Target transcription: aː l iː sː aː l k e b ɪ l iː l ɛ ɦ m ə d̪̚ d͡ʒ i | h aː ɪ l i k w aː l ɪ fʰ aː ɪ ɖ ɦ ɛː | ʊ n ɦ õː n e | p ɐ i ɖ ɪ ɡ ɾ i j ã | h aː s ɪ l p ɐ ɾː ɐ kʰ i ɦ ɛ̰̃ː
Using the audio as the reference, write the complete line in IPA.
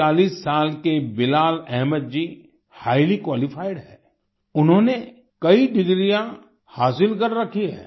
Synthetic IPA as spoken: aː l iː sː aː l k e b ɪ l aː l ɛ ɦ m ə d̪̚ d͡ʒ i | h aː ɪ l i k w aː l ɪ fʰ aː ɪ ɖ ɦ ɛː | ʊ n ɦ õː n e | k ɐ i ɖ ɪ ɡ ɾ i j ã | h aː s ɪ l k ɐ ɾː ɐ kʰ i ɦ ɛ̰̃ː